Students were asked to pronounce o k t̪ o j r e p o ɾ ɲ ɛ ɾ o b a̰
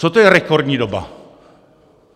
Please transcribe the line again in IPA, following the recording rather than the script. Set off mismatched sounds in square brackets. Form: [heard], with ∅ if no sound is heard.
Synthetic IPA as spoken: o [∅] t̪ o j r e [k] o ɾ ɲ [i] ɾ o b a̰